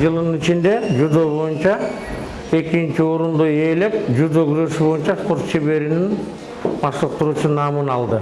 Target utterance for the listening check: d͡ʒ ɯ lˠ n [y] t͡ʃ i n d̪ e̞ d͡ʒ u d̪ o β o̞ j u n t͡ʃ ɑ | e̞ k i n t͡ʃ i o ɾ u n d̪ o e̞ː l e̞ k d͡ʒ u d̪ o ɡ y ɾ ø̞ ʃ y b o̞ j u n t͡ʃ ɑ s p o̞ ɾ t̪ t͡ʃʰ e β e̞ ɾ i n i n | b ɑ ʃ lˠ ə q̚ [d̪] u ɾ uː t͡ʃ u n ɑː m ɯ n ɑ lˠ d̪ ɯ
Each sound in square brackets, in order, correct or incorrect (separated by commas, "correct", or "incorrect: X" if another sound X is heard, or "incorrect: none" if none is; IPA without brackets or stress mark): incorrect: i, incorrect: t̪